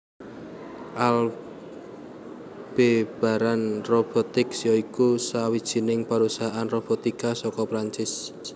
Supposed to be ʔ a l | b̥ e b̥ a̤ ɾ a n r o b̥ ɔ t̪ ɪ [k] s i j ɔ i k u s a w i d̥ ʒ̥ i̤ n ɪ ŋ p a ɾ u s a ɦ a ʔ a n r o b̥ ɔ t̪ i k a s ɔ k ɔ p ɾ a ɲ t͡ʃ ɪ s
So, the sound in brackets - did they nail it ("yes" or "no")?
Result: yes